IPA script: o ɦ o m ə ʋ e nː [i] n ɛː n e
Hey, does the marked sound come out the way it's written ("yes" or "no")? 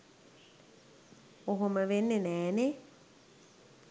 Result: no